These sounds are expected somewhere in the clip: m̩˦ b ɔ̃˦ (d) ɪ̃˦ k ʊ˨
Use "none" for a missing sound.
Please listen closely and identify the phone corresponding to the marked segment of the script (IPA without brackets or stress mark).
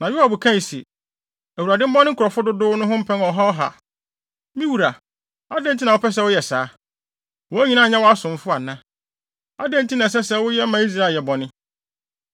n